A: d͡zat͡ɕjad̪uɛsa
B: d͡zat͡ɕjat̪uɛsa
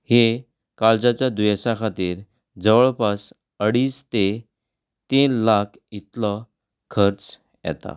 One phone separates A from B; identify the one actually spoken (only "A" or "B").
A